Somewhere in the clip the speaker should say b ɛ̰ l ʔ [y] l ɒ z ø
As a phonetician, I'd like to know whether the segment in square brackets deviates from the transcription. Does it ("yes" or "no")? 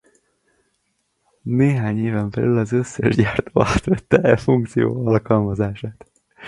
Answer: no